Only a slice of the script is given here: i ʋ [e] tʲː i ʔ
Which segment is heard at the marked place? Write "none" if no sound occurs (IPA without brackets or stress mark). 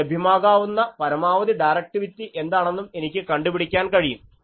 i